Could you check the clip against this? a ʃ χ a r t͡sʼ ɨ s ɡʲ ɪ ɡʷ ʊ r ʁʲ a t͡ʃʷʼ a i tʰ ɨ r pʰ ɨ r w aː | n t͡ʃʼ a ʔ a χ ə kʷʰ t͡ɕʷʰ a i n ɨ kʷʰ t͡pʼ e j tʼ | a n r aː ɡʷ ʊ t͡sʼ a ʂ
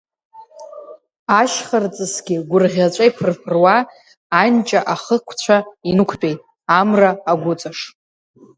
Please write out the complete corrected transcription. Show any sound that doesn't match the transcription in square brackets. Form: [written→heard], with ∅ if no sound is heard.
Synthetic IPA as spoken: a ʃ χ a r t͡sʼ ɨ s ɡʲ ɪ ɡʷ ʊ r ʁʲ a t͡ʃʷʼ a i [tʰ→pʰ] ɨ r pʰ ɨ r w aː | n t͡ʃʼ a ʔ a χ ə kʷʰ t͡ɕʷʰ a i n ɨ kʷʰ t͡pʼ e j tʼ | a [n→m] r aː ɡʷ ʊ t͡sʼ a ʂ